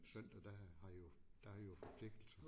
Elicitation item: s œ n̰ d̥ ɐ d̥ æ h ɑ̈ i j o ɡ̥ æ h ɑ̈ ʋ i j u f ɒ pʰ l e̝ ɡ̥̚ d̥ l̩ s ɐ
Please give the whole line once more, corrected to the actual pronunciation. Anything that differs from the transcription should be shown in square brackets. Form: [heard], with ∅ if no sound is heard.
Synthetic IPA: s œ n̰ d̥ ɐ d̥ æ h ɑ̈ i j o [d̥] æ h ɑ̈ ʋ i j [o] f ɒ pʰ l e̝ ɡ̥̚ d̥ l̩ s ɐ